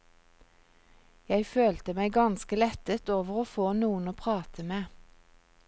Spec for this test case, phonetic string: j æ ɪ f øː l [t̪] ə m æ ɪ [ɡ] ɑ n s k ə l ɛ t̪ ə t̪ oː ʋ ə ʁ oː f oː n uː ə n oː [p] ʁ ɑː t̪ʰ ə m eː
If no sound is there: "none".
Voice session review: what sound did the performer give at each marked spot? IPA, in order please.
t̪, ɡ, pʰ

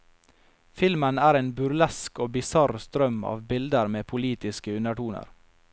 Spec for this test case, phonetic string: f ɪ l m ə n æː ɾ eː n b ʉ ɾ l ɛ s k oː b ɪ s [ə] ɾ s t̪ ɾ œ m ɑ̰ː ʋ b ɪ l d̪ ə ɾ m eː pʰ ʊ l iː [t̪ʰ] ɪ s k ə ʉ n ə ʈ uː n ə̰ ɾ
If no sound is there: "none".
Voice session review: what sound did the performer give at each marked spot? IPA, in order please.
ɑ, t̪

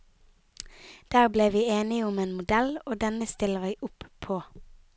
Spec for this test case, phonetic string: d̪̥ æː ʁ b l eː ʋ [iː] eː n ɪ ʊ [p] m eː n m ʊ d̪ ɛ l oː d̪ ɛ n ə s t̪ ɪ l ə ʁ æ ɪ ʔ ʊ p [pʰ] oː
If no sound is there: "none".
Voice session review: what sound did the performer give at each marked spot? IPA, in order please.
iː, none, pʰ

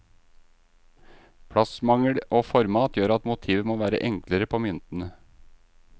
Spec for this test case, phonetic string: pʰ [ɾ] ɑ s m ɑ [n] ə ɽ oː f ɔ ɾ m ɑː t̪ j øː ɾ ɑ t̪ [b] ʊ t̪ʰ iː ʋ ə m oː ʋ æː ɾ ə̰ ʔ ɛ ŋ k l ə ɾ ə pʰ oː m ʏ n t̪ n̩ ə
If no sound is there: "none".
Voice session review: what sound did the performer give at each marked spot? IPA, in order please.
ɽ, ŋ, m

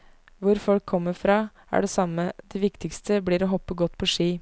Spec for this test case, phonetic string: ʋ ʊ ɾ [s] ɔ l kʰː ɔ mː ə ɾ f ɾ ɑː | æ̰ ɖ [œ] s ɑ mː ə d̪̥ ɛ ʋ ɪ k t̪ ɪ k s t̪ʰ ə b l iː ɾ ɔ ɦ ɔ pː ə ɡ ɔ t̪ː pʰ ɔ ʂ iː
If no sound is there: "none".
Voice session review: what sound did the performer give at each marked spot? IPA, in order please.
f, ɛ

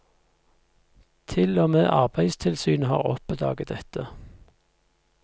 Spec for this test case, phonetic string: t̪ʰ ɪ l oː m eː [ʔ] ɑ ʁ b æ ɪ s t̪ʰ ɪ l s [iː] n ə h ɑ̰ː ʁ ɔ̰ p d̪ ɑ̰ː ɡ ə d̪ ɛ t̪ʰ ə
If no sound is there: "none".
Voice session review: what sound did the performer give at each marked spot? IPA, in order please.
ʔ, yː

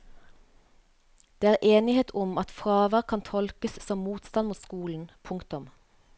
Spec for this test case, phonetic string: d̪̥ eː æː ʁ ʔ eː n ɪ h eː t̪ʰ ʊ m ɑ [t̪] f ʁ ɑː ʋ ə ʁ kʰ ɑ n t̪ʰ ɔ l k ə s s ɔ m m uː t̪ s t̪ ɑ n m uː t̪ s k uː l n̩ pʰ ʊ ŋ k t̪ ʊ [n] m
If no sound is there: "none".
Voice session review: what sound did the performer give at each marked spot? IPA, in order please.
t̪, none

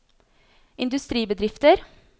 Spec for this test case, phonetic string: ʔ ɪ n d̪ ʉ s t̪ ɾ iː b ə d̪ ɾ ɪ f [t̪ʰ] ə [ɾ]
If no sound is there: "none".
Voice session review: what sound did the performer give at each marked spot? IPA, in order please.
t̪, ɾ

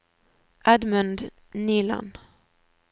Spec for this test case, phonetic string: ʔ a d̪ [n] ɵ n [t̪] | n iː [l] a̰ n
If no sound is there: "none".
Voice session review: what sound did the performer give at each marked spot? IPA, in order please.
m, d̪, l

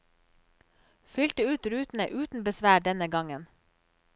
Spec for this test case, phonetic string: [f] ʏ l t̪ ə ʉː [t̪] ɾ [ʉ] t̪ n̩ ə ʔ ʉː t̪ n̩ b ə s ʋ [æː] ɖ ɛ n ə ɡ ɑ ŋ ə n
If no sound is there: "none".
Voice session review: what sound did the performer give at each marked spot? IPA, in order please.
f, t̪, ʉː, æː

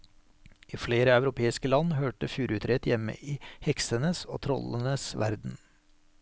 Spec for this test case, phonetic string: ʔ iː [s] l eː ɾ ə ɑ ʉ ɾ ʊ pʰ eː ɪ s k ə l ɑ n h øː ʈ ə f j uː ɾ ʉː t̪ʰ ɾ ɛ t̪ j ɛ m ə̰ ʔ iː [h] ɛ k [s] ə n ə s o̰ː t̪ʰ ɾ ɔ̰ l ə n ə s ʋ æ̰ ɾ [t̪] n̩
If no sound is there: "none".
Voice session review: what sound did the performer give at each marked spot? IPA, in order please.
f, h, s, d̪

